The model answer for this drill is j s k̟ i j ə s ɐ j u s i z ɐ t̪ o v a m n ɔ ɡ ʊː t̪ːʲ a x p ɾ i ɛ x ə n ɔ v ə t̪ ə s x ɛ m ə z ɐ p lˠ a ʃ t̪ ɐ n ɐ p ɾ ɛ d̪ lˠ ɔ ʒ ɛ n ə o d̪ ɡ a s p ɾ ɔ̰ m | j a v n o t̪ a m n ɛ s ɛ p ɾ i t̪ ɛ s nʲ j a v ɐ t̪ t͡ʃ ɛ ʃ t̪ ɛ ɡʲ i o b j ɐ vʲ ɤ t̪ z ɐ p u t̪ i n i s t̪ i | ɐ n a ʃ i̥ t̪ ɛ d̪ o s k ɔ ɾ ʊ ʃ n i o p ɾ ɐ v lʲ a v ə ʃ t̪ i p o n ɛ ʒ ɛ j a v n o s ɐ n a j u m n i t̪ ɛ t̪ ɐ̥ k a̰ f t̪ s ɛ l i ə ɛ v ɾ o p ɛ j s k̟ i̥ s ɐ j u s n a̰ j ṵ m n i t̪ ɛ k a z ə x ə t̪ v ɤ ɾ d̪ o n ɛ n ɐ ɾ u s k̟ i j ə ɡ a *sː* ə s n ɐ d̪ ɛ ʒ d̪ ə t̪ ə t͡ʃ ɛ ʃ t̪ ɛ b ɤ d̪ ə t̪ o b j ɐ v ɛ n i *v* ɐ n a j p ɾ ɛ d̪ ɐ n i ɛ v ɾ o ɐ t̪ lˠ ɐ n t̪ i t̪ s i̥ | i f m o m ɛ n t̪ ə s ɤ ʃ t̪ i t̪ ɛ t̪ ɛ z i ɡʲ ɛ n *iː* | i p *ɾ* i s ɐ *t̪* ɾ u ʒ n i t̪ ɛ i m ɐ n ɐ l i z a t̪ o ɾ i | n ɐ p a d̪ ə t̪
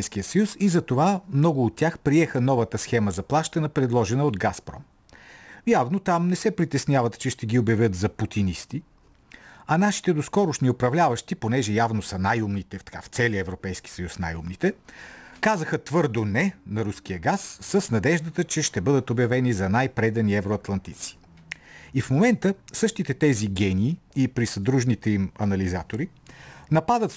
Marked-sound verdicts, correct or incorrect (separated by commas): correct, incorrect, correct, correct, incorrect